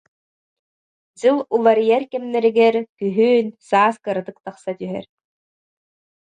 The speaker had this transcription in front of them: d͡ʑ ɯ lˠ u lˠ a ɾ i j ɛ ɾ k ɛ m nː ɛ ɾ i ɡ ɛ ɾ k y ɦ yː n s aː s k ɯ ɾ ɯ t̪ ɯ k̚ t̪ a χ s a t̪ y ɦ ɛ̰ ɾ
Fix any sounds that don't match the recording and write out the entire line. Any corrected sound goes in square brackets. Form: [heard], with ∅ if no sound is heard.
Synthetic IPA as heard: d͡ʑ ɯ lˠ u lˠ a ɾ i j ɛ ɾ k ɛ m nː ɛ ɾ i ɡ ɛ ɾ k y ɦ yː n s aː s k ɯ ɾ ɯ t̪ ɯ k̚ t̪ a χ s a t̪ y ɦ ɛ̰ ɾ